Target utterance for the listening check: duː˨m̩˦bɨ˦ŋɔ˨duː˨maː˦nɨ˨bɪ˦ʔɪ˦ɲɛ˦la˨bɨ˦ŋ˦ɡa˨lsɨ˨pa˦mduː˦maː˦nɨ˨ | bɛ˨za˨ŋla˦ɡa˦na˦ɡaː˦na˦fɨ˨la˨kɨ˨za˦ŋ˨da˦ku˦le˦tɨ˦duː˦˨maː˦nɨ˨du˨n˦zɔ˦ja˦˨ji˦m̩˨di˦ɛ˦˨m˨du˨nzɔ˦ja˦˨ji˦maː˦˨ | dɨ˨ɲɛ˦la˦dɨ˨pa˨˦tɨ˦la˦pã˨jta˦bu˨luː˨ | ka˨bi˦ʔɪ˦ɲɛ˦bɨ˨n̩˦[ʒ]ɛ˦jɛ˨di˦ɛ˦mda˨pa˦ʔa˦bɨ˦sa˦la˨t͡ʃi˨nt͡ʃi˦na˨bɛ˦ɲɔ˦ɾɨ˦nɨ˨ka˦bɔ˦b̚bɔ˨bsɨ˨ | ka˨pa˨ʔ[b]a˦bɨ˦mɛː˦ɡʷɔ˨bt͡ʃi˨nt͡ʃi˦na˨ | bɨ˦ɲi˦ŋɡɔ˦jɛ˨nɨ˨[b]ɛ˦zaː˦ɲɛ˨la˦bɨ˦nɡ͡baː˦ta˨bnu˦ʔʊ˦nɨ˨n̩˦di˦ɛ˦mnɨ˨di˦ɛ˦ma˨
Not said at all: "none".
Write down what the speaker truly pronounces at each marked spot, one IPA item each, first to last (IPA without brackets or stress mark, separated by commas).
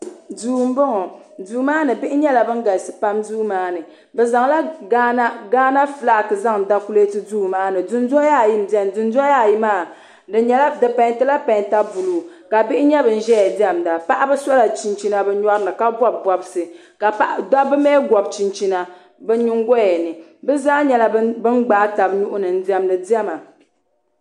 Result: ʒ, d, b